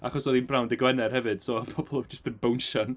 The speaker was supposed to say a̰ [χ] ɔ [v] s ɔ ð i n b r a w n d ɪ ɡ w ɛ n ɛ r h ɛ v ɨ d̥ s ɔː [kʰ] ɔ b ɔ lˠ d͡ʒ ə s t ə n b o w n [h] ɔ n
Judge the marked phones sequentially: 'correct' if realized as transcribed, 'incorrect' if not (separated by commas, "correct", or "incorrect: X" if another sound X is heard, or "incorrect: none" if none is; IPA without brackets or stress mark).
correct, incorrect: none, incorrect: pʰ, incorrect: ʃ